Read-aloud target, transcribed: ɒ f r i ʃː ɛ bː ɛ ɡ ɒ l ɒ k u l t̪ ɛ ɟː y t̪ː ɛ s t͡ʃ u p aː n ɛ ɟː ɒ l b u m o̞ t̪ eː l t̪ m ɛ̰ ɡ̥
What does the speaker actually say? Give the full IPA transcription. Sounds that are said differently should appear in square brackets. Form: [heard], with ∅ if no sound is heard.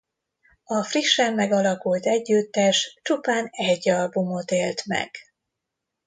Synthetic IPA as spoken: ɒ f r i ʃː ɛ [mː] ɛ ɡ ɒ l ɒ k u l t̪ ɛ ɟː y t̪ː ɛ [ʃ] t͡ʃ u p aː n ɛ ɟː ɒ l b u m o̞ t̪ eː l t̪ m ɛ̰ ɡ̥